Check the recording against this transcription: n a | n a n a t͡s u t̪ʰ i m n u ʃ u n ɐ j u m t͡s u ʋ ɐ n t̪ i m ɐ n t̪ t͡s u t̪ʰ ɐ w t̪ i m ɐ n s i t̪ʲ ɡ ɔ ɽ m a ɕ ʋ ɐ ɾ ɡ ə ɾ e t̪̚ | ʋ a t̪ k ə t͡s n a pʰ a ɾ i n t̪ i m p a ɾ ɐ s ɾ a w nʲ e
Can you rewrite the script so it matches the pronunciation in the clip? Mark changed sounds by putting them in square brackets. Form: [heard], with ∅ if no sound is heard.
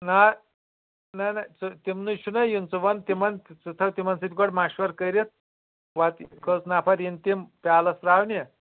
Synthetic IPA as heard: n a | n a n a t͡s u [t̪] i m n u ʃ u n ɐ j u [n] t͡s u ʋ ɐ n t̪ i m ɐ n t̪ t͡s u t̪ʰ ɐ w t̪ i m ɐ n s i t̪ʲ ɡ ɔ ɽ m a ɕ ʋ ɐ ɾ [k] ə ɾ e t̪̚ | ʋ a t̪ k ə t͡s n a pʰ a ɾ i n t̪ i m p a [l] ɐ s ɾ a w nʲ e